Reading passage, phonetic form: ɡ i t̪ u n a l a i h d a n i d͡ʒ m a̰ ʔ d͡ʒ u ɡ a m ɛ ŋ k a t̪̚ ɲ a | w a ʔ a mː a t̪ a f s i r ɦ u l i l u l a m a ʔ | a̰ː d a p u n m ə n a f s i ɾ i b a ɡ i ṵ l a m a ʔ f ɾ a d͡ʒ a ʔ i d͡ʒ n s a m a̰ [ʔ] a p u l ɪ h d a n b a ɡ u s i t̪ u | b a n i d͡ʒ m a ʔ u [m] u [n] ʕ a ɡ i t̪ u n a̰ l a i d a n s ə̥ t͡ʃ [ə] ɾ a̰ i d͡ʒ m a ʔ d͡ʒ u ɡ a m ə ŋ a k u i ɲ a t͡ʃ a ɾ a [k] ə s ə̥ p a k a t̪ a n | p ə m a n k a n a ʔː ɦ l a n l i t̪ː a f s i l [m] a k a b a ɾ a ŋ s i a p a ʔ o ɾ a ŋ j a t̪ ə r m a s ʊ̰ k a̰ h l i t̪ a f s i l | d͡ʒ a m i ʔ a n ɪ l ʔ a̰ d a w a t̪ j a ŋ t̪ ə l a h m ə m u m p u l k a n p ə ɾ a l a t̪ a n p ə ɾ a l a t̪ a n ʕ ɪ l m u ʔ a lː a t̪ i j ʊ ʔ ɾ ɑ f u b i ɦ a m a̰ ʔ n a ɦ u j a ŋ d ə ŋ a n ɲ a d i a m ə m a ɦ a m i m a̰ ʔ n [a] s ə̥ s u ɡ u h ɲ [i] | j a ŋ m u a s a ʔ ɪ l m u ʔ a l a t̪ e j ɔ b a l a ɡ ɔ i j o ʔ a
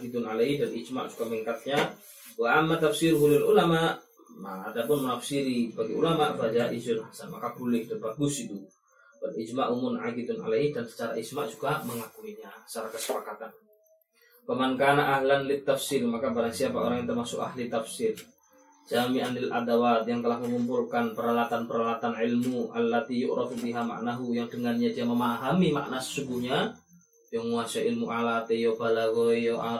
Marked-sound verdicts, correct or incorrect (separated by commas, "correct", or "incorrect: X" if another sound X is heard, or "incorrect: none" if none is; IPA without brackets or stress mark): incorrect: k, correct, correct, incorrect: a, correct, correct, correct, incorrect: a